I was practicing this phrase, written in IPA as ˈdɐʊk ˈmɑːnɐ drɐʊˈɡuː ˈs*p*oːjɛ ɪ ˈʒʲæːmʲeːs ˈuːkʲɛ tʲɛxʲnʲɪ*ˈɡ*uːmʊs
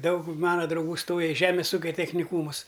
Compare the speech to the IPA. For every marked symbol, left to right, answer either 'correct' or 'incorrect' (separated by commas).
incorrect, incorrect